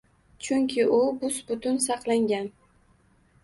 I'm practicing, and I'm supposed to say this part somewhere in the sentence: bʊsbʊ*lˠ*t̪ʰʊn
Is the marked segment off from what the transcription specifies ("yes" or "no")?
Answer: yes